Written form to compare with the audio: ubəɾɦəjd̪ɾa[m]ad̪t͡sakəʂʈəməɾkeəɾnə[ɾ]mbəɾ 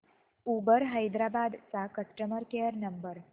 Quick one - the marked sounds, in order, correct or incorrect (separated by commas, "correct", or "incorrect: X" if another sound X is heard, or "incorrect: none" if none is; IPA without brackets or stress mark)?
incorrect: b, incorrect: none